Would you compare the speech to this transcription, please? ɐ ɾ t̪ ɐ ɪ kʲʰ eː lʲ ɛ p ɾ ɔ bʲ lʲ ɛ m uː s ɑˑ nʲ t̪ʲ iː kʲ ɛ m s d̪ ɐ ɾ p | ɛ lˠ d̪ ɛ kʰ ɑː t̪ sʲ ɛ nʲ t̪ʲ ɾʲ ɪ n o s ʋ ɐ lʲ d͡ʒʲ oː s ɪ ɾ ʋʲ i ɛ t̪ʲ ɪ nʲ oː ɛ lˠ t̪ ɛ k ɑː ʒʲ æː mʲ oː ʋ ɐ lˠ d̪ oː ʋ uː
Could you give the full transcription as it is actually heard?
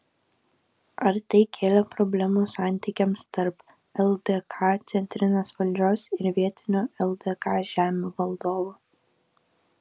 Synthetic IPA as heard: ɐ ɾ t̪ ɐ ɪ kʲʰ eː lʲ ɛ p ɾ ɔ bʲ lʲ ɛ m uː s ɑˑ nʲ t̪ʲ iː kʲ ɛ m s t̪ ɐ ɾ p | ɛ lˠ d̪ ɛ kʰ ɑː t̪ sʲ ɛ nʲ t̪ʲ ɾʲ ɪ n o s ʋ ɐ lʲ d͡ʒʲ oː s ɪ ɾ ʋʲ i ɛ t̪ʲ ɪ nʲ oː ɛ lˠ d̪ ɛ k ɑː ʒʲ æː mʲ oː ʋ ɐ lˠ d̪ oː ʋ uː

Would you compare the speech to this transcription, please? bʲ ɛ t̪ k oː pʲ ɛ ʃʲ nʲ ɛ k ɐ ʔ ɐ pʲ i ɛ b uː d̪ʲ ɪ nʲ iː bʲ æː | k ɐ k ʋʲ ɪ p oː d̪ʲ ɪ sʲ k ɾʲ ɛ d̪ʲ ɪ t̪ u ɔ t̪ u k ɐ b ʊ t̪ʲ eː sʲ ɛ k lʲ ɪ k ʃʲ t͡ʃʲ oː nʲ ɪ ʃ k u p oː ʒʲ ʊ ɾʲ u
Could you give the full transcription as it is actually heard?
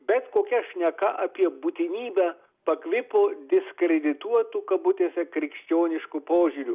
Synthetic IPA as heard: bʲ ɛ t̪ k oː kʲ ɛ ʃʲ nʲ ɛ k ɐ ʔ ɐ pʲ i ɛ b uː t̪ʲ ɪ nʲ iː bʲ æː | p ɐ k ʋʲ ɪ p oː d̪ʲ ɪ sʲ k ɾʲ ɛ d̪ʲ ɪ t̪ u ɔ t̪ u k ɐ b ʊ t̪ʲ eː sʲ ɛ k ɾʲ ɪ k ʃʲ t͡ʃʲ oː nʲ ɪ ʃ k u p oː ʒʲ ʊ ɾʲ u

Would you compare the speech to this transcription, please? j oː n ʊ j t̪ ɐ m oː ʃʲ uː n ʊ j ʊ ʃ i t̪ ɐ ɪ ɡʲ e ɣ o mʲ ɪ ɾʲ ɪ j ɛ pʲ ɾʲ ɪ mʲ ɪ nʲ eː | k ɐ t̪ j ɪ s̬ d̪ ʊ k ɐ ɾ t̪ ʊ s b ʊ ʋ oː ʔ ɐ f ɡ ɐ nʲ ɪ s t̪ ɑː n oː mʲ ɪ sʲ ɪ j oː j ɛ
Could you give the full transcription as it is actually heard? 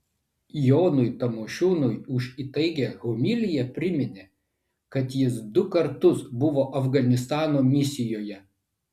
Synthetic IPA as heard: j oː n ʊ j t̪ ɐ m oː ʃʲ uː n ʊ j ʊ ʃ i t̪ ɐ ɪ ɡʲ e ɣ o mʲ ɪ lʲ ɪ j ɛ pʲ ɾʲ ɪ mʲ ɪ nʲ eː | k ɐ t̪ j ɪ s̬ d̪ ʊ k ɐ ɾ t̪ ʊ s b ʊ ʋ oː ʔ ɐ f ɡ ɐ nʲ ɪ s t̪ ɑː n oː mʲ ɪ sʲ ɪ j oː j ɛ

